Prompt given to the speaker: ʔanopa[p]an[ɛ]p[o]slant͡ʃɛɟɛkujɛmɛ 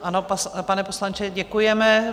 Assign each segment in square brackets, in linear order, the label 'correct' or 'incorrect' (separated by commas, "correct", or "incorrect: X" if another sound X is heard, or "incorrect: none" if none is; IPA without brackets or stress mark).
correct, correct, correct